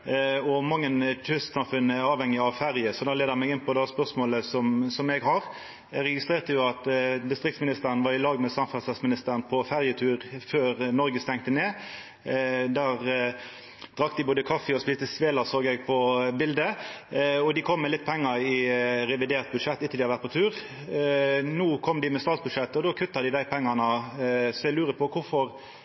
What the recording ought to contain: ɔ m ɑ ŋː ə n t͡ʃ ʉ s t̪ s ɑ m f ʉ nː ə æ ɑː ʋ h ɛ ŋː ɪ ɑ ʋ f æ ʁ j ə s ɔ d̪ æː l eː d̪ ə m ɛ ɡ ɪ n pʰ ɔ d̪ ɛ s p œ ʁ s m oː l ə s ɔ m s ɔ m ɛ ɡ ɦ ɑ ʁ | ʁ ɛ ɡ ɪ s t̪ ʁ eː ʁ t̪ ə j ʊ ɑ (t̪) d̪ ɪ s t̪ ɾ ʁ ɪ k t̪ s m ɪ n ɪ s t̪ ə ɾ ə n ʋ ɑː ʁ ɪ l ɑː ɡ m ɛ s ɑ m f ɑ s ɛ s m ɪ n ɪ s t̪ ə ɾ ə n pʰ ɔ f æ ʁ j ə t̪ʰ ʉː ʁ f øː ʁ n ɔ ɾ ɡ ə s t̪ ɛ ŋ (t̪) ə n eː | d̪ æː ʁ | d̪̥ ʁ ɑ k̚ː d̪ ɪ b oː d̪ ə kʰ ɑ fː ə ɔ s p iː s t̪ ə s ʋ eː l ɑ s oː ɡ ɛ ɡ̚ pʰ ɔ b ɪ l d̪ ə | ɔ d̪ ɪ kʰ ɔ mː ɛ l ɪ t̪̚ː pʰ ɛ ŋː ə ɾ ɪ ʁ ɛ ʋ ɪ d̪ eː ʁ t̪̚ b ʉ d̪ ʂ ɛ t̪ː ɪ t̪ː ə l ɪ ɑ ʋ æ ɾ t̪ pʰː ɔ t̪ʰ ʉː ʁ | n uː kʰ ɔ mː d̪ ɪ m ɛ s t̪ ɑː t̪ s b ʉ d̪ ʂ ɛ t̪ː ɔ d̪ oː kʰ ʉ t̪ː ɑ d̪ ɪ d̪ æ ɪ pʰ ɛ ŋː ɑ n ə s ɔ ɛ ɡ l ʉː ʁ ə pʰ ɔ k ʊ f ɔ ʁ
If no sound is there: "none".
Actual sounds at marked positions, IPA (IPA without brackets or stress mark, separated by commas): t̪, t̪